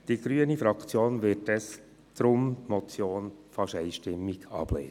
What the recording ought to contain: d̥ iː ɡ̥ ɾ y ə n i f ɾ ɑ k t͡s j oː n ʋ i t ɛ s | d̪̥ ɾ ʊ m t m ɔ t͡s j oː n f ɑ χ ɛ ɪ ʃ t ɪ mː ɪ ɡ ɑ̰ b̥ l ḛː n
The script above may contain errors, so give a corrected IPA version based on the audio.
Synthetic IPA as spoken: d̥ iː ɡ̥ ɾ y ə n i f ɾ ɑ k t͡s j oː n ʋ ɪ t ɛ s | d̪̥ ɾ ʊ m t m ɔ t͡s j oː n f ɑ ʃ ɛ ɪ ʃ t ɪ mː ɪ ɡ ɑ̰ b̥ l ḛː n